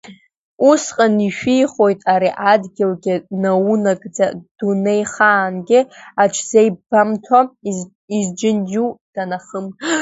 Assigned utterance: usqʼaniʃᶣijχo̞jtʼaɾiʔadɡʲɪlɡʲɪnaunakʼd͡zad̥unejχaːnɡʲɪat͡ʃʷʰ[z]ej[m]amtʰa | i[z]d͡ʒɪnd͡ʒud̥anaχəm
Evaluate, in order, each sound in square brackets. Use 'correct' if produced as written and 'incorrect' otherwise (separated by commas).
correct, incorrect, correct